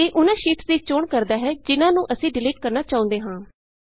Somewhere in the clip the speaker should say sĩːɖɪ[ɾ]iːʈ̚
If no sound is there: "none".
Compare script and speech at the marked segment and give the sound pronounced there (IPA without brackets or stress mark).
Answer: l